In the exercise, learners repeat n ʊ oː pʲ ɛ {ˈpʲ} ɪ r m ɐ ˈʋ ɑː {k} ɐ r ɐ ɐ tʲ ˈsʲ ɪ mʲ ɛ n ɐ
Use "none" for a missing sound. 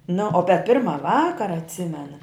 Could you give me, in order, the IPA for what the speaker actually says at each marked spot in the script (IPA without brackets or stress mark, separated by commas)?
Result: pʲ, k